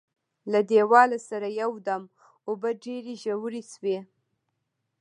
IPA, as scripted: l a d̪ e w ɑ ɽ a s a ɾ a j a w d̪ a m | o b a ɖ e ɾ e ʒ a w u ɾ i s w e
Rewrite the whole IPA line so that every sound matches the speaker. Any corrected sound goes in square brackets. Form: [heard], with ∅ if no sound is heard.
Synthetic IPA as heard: l a d̪ e w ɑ [l] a s a ɾ a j a w d̪ a m | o b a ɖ e ɾ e ʒ a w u ɾ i s w e